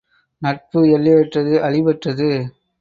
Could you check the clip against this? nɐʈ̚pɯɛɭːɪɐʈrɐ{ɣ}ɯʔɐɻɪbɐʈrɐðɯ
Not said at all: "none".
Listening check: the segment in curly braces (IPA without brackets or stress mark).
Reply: ð